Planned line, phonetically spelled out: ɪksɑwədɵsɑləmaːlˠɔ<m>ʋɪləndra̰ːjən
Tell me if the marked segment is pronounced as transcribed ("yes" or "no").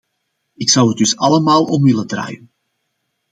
yes